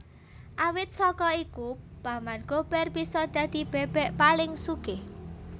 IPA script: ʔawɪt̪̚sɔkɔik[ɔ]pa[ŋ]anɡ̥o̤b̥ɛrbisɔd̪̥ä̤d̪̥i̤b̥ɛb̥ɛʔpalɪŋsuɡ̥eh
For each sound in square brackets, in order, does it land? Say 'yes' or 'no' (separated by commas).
no, no